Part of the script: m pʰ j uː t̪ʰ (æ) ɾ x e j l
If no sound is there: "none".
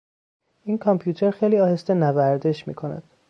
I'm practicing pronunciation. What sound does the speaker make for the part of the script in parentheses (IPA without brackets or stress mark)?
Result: e